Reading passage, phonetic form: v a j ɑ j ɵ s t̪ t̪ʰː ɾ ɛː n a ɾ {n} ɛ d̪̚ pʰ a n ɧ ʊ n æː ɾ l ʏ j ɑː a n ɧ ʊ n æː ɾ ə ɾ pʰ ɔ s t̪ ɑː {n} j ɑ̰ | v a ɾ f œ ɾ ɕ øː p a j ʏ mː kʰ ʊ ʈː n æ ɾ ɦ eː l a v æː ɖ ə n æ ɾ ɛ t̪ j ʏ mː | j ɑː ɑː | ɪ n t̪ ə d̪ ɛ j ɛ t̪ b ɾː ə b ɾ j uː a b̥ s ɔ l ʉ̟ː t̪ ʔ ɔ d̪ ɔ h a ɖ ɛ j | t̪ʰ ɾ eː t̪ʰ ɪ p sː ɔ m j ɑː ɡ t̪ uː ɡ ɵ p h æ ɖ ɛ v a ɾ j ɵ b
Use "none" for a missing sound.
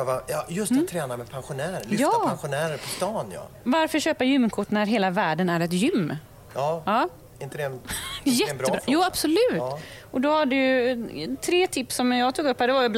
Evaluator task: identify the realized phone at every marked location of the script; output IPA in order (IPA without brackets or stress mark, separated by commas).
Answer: m, n